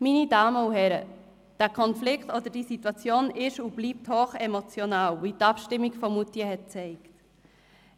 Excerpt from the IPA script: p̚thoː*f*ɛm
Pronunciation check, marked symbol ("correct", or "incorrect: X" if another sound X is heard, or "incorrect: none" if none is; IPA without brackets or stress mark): incorrect: χ